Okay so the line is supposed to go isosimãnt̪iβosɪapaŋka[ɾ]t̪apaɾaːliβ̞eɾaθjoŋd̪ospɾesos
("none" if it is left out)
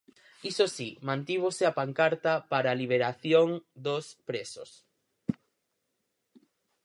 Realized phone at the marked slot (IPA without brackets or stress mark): ɾ